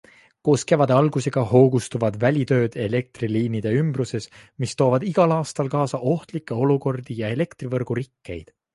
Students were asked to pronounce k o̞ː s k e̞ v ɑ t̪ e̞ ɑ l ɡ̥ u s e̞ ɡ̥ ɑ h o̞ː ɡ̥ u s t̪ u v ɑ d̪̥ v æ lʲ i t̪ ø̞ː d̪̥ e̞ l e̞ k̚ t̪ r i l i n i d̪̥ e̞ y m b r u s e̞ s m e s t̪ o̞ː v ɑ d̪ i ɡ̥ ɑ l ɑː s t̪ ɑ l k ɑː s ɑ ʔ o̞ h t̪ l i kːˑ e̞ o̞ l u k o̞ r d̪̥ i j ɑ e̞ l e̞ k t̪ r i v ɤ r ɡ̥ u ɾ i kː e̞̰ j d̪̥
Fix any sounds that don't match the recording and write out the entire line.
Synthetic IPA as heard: k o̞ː s k e̞ v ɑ d̪ e̞ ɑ l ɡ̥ u s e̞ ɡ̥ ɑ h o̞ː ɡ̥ u s t̪ u v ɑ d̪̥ v æ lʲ i t̪ ø̞ː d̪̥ e̞ l e̞ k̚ t̪ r i l iː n i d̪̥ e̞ y m b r u s e̞ s m i s t̪ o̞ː v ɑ d̪ i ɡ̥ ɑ l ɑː s t̪ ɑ l k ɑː s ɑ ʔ o̞ h t̪ l i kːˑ e̞ o̞ l u k o̞ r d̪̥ i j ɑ e̞ l e̞ k t̪ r i v ɤ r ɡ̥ u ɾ i kː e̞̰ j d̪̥